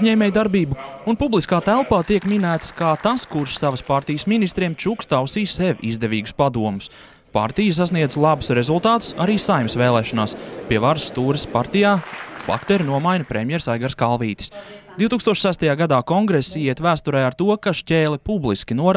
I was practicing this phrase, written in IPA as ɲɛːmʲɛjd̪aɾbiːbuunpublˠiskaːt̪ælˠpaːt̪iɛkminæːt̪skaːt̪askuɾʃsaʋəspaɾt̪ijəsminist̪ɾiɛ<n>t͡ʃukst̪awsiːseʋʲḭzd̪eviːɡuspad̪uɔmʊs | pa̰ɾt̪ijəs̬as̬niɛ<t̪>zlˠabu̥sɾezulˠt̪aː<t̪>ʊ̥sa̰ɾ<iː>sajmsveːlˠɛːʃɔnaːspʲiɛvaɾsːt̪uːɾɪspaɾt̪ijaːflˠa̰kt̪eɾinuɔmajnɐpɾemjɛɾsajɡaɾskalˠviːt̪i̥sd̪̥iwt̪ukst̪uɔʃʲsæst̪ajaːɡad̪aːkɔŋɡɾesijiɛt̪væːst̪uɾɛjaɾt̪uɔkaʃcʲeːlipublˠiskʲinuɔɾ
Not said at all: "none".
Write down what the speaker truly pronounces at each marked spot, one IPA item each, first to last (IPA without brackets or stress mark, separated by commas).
m, d̪, t̪, iː